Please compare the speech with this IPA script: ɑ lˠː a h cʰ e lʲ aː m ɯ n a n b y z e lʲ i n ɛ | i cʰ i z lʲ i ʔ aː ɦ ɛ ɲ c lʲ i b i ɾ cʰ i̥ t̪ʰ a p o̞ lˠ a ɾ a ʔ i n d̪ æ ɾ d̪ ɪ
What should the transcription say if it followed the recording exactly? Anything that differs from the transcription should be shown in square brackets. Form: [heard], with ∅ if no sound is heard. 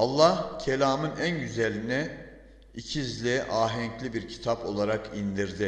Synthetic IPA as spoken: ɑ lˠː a h cʰ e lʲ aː m ɯ n [æ] n [ɟ] y z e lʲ i n ɛ | i cʰ i z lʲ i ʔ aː ɦ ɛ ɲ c lʲ i b i ɾ cʰ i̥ t̪ʰ a p o̞ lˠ a ɾ a [k] i n d̪ [i] ɾ d̪ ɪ